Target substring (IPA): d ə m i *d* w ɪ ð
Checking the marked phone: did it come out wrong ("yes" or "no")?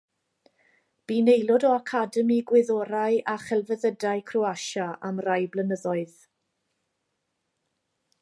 yes